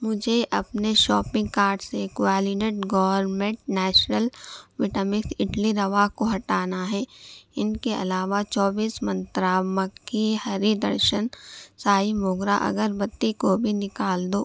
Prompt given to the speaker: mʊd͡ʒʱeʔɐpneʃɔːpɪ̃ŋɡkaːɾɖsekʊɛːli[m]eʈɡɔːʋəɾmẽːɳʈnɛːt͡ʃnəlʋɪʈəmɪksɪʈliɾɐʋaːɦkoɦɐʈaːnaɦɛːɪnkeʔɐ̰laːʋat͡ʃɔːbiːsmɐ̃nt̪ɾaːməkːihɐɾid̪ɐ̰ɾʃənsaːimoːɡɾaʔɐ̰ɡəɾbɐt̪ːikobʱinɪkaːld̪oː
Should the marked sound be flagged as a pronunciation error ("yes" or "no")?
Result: yes